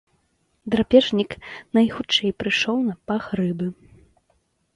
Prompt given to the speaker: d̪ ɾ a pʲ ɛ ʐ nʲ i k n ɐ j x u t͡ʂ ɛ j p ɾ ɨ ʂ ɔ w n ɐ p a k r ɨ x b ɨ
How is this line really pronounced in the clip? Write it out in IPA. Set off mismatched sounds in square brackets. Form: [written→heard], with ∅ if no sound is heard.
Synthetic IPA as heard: d̪ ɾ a pʲ ɛ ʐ nʲ i k n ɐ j x u t͡ʂ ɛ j p ɾ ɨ ʂ ɔ w n ɐ p a [k→x] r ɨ [x→∅] b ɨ